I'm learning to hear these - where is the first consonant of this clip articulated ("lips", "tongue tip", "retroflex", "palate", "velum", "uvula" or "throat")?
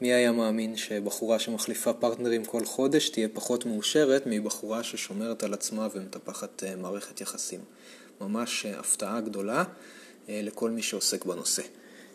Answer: lips